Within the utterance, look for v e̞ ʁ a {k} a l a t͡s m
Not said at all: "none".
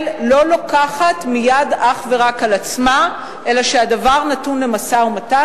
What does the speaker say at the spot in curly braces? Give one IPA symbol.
k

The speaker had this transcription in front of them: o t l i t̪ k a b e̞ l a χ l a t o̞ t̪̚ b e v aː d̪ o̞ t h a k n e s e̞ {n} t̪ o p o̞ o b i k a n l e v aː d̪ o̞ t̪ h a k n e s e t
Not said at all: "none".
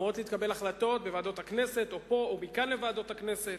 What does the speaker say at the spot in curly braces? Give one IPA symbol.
none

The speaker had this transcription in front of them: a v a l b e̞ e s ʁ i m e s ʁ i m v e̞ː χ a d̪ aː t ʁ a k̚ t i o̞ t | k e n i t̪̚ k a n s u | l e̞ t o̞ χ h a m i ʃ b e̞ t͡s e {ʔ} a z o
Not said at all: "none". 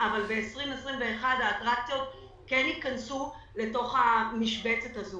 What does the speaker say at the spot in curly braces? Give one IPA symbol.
t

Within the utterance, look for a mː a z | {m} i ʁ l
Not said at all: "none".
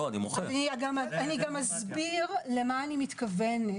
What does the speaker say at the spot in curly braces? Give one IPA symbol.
b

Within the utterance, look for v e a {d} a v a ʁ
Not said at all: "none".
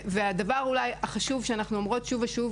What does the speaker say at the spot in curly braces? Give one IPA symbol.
d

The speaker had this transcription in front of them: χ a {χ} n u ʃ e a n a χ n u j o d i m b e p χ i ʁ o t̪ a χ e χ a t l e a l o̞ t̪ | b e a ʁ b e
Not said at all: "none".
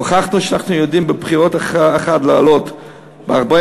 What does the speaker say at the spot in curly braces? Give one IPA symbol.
χ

